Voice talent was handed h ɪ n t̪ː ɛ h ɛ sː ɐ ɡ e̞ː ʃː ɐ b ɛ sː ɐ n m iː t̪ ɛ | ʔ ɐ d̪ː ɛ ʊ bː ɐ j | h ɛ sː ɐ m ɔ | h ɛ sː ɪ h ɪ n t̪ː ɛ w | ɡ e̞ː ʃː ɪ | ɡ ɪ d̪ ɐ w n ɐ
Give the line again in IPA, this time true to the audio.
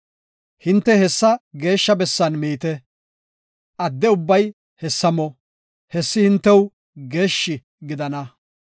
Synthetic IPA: h ɪ n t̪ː ɛ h ɛ sː ɐ ɡ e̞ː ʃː ɐ b ɛ sː ɐ n m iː t̪ ɛ | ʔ ɐ d̪ː ɛ ʊ bː ɐ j | h ɛ sː ɐ m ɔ | h ɛ sː ɪ h ɪ n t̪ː ɛ w | ɡ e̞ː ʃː ɪ | ɡ ɪ d̪ ɐ n ɐ